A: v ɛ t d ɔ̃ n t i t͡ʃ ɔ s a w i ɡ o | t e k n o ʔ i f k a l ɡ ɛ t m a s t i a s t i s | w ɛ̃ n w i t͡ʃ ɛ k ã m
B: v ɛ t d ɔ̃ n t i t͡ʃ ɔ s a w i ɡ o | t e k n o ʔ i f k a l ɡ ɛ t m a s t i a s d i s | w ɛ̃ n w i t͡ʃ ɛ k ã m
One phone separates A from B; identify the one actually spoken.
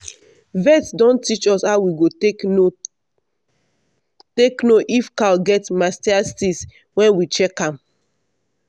A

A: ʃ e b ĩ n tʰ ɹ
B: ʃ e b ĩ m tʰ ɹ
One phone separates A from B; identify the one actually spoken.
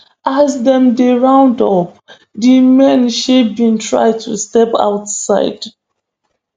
A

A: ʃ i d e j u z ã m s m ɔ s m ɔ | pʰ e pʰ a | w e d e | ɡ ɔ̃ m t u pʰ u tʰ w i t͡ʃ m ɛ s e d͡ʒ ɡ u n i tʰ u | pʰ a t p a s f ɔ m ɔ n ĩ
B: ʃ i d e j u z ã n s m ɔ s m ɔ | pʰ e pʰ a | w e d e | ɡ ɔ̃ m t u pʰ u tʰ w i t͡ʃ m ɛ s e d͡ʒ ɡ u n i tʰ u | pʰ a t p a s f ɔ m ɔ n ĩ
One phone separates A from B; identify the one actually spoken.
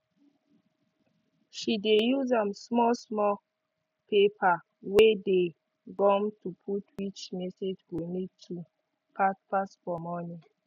A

